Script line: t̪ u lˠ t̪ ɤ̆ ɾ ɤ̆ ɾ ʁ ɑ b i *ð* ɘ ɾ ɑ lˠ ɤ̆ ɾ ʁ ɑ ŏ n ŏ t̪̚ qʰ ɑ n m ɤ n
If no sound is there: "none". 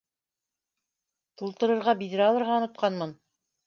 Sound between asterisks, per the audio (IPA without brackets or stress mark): ð